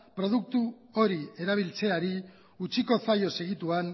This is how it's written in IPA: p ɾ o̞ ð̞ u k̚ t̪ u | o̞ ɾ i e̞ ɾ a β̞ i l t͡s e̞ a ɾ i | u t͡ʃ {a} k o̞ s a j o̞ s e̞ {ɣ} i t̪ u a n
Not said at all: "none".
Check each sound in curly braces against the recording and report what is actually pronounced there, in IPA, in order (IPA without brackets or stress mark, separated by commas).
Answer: i, ɣ